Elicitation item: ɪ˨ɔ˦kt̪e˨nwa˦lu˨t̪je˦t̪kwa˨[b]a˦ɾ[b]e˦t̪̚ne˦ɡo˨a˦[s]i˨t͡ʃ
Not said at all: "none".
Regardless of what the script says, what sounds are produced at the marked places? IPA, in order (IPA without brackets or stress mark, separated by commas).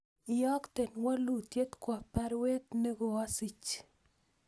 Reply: p, w, s